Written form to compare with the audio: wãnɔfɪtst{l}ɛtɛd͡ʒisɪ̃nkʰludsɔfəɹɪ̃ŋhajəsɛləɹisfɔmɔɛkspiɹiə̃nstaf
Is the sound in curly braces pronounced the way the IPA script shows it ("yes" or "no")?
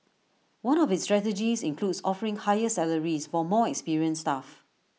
no